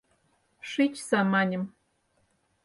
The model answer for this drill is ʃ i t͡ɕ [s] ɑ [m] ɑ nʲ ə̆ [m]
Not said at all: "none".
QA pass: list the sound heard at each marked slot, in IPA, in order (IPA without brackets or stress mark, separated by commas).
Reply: s, m, m